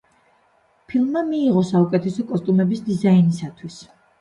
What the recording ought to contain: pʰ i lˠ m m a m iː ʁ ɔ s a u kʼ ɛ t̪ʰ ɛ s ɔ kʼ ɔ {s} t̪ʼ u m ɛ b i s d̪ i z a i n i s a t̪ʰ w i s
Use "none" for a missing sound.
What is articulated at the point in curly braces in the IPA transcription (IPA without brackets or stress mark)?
s